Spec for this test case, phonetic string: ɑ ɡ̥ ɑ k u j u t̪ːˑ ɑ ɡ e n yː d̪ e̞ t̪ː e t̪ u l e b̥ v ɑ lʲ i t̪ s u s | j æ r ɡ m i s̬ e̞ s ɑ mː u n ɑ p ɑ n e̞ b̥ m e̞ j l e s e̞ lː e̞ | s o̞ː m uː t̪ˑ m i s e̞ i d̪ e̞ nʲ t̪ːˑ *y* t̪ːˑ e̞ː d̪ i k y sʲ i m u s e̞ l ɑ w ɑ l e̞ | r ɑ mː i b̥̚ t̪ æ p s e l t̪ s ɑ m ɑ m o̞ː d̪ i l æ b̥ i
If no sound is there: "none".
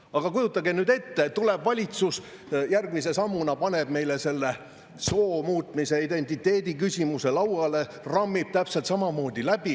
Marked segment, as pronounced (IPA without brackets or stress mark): i